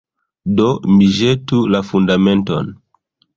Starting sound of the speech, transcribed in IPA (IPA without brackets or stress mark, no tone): d